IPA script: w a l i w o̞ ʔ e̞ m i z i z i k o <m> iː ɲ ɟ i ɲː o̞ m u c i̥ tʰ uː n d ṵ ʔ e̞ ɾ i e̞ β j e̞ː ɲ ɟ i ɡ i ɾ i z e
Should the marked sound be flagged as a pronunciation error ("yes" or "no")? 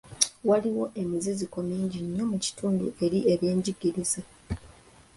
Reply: no